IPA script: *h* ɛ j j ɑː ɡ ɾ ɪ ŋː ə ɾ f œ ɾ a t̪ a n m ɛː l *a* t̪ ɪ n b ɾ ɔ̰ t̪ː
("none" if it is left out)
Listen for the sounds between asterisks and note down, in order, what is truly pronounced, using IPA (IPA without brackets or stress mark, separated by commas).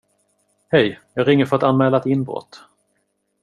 h, a